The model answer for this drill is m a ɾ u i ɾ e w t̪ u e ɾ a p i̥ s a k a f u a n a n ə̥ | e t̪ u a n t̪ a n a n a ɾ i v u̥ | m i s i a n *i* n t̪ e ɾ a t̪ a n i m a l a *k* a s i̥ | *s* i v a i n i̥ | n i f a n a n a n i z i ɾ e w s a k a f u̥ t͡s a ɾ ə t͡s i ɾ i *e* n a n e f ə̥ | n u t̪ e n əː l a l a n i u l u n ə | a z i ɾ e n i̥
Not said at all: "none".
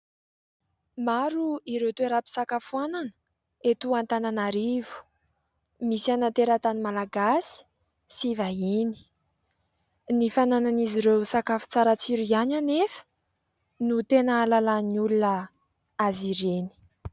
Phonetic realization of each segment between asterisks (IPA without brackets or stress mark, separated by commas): a, ɡ, s, a